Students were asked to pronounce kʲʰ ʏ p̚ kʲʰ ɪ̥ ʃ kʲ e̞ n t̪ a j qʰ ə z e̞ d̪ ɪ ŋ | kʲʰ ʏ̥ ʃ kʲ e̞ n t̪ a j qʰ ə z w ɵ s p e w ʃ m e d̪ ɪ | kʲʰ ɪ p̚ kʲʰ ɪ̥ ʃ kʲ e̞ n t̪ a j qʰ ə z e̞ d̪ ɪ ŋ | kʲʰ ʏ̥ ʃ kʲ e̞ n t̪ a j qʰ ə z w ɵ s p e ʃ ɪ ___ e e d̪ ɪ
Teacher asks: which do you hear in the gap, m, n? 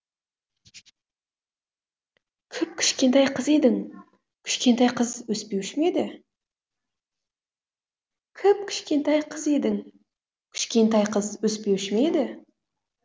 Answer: m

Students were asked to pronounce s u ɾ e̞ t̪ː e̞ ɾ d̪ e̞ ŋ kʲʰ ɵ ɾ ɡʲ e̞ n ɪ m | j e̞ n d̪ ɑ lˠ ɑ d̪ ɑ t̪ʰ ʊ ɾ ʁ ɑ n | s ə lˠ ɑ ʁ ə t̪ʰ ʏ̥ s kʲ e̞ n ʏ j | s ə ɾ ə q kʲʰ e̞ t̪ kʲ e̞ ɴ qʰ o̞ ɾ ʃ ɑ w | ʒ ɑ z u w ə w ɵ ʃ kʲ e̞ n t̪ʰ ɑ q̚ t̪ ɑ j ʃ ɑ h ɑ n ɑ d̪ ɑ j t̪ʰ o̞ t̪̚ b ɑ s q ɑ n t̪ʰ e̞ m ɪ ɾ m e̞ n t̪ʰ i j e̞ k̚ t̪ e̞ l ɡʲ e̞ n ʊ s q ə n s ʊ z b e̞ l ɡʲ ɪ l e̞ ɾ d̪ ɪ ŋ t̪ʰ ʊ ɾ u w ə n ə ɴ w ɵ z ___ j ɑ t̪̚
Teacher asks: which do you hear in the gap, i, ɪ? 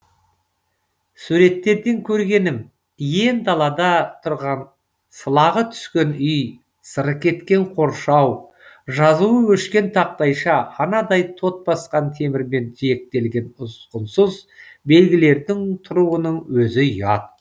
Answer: ɪ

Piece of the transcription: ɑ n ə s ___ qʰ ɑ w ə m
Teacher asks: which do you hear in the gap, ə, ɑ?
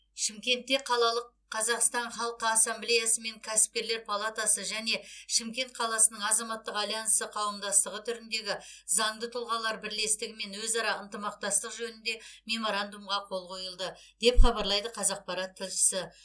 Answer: ə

